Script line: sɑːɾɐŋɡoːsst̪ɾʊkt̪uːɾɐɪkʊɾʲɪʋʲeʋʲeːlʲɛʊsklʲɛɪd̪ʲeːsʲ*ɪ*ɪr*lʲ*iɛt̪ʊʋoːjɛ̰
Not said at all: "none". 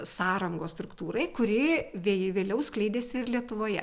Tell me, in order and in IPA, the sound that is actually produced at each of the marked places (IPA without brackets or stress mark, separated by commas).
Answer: ɪ, lʲ